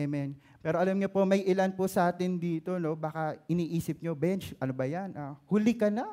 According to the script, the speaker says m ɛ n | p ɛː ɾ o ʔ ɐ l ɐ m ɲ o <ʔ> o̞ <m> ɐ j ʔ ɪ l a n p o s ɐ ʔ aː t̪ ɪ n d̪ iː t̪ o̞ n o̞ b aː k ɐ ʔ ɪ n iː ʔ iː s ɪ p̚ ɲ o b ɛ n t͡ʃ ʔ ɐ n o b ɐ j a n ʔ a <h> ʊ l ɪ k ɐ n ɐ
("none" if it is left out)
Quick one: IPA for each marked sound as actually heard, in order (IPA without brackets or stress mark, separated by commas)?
p, m, h